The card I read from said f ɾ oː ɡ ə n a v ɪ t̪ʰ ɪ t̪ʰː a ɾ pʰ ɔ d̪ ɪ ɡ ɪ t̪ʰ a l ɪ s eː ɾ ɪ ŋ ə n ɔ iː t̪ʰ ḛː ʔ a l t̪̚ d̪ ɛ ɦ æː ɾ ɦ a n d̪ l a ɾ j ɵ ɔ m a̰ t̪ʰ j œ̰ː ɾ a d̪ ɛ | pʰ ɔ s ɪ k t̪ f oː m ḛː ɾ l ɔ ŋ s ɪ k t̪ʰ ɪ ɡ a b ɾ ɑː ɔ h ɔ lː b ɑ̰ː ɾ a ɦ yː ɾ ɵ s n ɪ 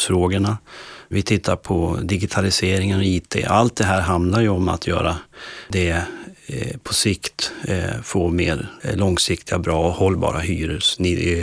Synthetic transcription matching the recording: f ɾ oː ɡ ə ɳ a v ɪ t̪ʰ ɪ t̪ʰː a ɾ pʰ ɔ d̪ ɪ ɡ ɪ t̪ʰ a l ɪ s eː ɾ ɪ ŋ ə n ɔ iː t̪ʰ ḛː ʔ a l t̪̚ d̪ ɛ ɦ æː ɾ ɦ a n d̪ l a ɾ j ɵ ɔ m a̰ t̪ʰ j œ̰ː ɾ a d̪ ɛ | pʰ ɔ s ɪ k t̪ f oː m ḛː ɾ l ɔ ŋ s ɪ k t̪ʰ ɪ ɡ a b ɾ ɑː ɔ h ɔ lː b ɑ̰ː ɾ a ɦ yː ɾ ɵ s n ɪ